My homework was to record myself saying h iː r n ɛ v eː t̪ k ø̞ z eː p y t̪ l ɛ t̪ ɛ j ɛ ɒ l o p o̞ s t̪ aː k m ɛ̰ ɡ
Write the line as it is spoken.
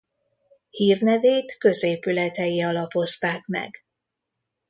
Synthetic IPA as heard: h iː r n ɛ v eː t̪ k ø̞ z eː p y l ɛ t̪ ɛ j i ɒ l ɒ p o̞ s t̪ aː k m ɛ̰ ɡ